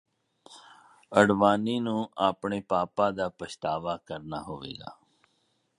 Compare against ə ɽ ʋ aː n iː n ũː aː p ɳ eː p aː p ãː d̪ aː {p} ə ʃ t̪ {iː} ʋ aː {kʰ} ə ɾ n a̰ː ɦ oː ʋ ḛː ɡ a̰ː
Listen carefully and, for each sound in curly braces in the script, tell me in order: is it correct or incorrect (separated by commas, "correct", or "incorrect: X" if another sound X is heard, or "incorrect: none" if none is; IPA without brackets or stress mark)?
correct, incorrect: aː, incorrect: k